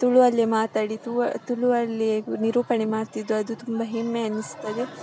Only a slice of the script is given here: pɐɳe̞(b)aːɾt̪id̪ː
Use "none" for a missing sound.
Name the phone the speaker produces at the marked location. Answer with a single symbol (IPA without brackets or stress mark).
m